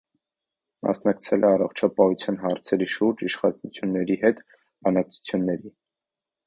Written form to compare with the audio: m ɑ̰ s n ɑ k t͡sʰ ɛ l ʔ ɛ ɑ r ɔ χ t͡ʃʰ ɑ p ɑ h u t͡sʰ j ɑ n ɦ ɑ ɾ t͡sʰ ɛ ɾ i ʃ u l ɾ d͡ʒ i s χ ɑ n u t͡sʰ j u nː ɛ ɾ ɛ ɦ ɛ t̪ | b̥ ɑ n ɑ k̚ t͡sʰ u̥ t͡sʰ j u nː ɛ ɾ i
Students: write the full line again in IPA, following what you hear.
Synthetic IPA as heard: m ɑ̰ s n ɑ k t͡sʰ ɛ l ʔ ɛ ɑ r ɔ χ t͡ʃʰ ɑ p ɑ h u t͡sʰ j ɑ n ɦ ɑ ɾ t͡sʰ ɛ ɾ i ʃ u ɾ d͡ʒ i ʃ χ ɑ n u t͡sʰ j u nː ɛ ɾ i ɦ ɛ t̪ | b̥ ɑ n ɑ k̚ t͡sʰ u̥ t͡sʰ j u nː ɛ ɾ i